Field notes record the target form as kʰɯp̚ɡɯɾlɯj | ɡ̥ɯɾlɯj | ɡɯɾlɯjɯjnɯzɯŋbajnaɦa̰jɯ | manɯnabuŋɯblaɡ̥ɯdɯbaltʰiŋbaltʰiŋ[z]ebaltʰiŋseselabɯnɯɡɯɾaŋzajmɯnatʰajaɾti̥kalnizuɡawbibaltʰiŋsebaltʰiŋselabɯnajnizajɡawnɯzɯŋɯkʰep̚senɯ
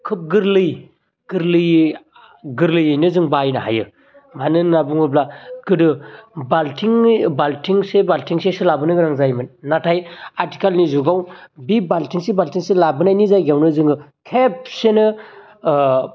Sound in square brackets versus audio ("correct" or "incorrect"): incorrect